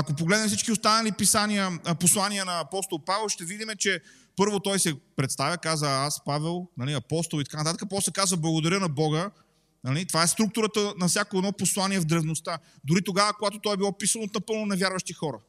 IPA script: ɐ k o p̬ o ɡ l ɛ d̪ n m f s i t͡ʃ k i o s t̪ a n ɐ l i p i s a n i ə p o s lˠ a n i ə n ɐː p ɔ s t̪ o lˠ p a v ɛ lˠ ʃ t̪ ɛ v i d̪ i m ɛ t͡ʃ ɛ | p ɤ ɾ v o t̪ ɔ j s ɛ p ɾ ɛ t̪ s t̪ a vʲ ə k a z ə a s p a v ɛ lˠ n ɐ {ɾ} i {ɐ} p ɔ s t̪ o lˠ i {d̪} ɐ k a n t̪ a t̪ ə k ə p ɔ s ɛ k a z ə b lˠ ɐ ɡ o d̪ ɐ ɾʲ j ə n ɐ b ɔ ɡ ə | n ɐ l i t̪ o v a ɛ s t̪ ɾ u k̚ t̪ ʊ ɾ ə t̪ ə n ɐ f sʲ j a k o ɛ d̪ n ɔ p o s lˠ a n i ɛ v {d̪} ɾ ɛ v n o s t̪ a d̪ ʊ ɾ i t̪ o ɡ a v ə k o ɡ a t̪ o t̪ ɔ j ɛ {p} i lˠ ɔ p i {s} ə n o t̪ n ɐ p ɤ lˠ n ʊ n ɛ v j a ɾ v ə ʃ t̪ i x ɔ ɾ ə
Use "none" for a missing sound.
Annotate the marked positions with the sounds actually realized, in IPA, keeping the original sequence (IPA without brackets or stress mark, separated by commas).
l, ɐ, t̪, d̪, b, s